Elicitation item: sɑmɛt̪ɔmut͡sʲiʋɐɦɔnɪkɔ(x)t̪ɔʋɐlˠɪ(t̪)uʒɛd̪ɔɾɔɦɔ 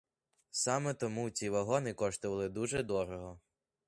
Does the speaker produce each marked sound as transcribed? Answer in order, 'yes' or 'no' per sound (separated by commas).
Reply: no, no